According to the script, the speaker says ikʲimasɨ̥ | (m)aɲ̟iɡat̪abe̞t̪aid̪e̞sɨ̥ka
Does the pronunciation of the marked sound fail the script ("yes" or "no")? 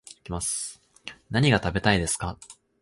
yes